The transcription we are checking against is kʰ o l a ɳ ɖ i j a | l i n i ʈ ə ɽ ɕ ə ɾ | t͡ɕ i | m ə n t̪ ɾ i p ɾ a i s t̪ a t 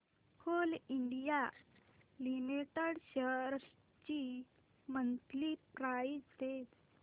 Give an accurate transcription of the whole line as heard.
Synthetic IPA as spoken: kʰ o l i ɳ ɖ i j a | l i m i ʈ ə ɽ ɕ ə ɾ | t͡ɕ i | m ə n t̪ l i p ɾ a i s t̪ e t